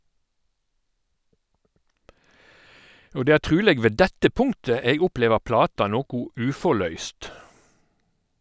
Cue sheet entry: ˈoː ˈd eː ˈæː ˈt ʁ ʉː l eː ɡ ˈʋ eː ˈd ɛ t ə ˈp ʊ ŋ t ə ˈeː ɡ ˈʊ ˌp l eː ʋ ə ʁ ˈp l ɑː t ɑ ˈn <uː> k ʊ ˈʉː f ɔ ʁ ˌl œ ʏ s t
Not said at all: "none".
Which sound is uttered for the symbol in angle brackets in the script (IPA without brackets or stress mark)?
oː